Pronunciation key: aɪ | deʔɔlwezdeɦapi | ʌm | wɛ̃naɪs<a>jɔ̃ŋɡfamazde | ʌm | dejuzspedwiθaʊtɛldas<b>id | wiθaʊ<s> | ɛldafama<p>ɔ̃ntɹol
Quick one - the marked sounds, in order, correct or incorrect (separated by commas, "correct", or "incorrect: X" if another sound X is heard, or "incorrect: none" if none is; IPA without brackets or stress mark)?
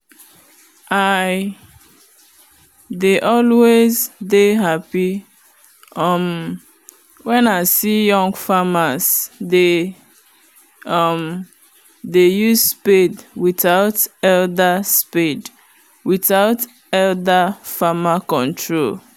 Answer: incorrect: i, incorrect: p, incorrect: t, incorrect: k